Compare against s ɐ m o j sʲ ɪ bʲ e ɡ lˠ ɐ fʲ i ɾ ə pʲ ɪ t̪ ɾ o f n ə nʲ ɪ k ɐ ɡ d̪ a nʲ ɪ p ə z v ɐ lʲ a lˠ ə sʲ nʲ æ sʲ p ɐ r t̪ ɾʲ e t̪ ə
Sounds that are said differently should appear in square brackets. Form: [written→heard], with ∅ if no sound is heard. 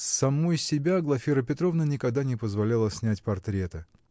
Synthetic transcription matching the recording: s ɐ m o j sʲ ɪ bʲ [e→a] ɡ lˠ ɐ fʲ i ɾ ə pʲ ɪ t̪ ɾ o [f→v] n ə nʲ ɪ k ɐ ɡ d̪ a nʲ ɪ p ə z v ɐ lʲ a lˠ ə sʲ nʲ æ [sʲ→tʲ] p ɐ r t̪ ɾʲ e t̪ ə